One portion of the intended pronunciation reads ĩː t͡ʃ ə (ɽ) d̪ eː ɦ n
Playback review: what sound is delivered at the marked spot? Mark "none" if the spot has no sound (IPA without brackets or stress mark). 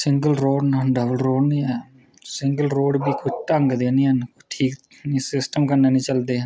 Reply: l